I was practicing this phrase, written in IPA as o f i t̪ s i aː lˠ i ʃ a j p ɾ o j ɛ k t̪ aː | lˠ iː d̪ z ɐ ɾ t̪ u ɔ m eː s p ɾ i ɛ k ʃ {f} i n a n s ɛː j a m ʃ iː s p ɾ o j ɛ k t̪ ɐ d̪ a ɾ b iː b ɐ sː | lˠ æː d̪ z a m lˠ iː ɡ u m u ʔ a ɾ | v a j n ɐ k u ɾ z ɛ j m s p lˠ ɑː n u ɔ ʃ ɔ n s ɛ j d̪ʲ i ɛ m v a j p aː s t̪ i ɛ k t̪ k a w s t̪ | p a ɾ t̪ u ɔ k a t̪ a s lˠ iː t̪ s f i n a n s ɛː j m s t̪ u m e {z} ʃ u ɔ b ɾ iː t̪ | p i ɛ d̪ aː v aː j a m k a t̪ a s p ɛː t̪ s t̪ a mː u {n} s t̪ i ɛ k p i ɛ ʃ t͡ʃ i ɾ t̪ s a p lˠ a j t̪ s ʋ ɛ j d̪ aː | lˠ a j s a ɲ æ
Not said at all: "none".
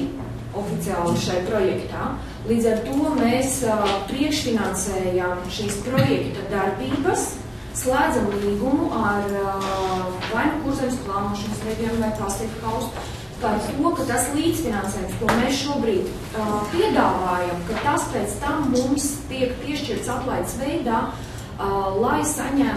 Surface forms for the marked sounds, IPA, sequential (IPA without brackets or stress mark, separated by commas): f, s, m